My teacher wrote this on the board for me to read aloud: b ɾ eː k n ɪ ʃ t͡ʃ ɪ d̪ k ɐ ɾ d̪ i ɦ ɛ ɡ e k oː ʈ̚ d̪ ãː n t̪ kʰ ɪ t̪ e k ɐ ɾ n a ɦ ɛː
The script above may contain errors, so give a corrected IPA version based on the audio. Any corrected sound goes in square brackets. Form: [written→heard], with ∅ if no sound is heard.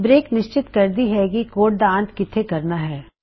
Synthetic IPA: b ɾ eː k n ɪ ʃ t͡ʃ ɪ [d̪→t̪] k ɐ ɾ d̪ i ɦ ɛ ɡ [e→i] k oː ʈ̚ d̪ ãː n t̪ [kʰ→k] ɪ [t̪→t̪ʰ] e k ɐ ɾ n a ɦ ɛː

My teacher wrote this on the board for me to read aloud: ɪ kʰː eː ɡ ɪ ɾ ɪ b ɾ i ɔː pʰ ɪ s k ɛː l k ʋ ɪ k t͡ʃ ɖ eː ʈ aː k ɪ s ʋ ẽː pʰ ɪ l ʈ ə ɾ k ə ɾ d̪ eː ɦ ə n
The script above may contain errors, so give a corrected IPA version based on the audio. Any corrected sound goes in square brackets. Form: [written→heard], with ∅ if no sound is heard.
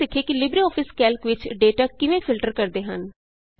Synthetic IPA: ɪ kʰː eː [ɡ→k] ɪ [ɾ→l] ɪ b ɾ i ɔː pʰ ɪ s k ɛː l k ʋ ɪ [k→∅] t͡ʃ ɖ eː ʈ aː k ɪ [s→∅] ʋ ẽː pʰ ɪ l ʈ ə ɾ k ə ɾ d̪ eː ɦ ə n

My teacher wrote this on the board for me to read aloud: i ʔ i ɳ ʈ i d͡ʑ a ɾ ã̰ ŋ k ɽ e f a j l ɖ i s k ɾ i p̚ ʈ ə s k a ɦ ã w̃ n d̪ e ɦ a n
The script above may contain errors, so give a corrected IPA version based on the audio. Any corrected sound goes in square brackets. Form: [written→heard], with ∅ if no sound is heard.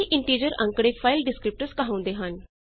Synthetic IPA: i ʔ i ɳ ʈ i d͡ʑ [a→ə] ɾ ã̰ ŋ k ɽ e f a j l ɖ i s k ɾ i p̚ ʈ ə s k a ɦ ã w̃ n d̪ e ɦ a n

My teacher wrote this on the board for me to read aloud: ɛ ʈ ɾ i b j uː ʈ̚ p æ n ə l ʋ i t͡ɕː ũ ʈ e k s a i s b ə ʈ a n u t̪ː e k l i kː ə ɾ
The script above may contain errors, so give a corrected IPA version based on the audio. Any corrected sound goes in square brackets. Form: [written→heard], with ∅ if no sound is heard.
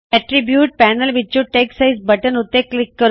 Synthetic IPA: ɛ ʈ ɾ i b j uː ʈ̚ p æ n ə l ʋ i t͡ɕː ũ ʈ e k s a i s b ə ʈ [a→ə] n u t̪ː e k l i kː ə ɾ

